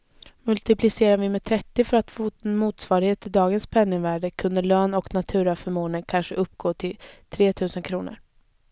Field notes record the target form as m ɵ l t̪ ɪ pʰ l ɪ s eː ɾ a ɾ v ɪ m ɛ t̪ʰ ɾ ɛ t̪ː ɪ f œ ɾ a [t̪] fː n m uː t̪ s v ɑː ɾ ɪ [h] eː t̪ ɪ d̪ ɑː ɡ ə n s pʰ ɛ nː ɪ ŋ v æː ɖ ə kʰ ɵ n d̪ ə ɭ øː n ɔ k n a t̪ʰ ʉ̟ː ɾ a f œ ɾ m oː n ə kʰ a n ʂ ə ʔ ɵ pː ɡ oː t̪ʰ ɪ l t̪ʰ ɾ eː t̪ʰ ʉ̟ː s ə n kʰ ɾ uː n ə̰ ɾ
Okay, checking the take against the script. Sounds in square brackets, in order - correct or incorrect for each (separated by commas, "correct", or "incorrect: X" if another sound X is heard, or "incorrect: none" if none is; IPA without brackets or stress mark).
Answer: correct, correct